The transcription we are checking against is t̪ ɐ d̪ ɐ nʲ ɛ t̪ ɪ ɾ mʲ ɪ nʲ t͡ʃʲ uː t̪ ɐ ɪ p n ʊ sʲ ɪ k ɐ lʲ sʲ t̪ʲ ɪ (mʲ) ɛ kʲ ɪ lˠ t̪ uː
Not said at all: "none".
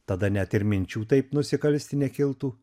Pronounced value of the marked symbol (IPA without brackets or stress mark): nʲ